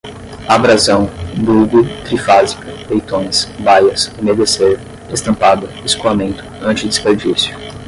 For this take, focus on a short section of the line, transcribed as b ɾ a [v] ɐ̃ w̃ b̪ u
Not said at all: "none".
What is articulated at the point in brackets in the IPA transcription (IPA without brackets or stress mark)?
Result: z